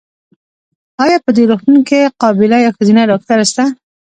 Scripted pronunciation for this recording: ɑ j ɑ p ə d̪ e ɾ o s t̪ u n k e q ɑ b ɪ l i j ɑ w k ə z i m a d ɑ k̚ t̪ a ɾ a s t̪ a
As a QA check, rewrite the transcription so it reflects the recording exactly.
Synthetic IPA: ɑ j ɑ p ə d̪ e ɾ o x t̪ u n k e q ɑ b ɪ l a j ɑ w x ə z i n a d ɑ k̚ t̪ a ɾ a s t̪ a